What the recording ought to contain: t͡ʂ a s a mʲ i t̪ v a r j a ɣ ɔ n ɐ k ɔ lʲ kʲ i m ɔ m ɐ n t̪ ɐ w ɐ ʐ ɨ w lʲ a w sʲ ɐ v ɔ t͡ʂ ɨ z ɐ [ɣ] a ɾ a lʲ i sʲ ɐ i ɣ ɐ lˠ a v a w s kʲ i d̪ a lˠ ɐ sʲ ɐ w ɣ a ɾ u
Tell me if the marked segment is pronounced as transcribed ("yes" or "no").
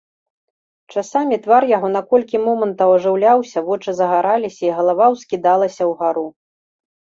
yes